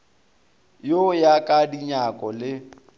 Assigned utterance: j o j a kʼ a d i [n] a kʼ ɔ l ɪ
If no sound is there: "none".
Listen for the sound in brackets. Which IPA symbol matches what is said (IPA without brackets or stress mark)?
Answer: ɲ